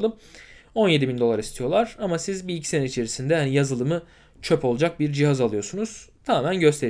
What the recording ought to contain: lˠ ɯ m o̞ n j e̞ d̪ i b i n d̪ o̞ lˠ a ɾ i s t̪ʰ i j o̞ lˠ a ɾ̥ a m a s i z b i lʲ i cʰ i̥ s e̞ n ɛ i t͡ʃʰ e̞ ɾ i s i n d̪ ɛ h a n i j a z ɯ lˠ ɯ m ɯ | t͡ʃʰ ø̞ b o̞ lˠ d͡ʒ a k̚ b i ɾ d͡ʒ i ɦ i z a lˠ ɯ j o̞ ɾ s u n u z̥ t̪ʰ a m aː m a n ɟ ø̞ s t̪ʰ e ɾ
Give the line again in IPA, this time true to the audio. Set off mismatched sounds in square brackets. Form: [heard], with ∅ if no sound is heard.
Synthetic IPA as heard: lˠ ɯ m o̞ n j e̞ d̪ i b i n d̪ o̞ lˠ a ɾ i s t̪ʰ i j o̞ lˠ a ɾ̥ a m a s i z b i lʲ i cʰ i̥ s e̞ n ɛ i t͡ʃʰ e̞ ɾ i s i n d̪ ɛ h a n i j a z ɯ lˠ ɯ m ɯ | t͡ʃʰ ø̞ [p] o̞ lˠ d͡ʒ a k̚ b i ɾ d͡ʒ i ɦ [a] z a lˠ ɯ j o̞ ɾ s u n u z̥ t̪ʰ a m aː m [æ] n ɟ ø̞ s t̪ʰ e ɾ